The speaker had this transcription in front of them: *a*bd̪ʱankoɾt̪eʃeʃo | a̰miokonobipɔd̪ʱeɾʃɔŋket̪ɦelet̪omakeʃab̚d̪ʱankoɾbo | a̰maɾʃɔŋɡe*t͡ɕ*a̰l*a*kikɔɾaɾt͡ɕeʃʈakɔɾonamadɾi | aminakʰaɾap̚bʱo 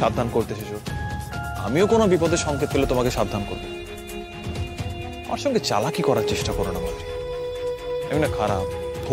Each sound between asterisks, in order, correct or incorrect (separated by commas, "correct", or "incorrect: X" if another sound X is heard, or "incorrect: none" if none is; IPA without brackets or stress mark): correct, correct, correct